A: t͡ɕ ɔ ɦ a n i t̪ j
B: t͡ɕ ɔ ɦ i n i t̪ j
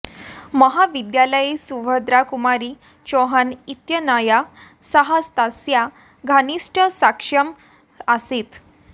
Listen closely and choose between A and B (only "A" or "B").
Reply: A